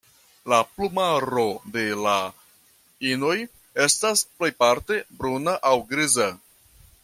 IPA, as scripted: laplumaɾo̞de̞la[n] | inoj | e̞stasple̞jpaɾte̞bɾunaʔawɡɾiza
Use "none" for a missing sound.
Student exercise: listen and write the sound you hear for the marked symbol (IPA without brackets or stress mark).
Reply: none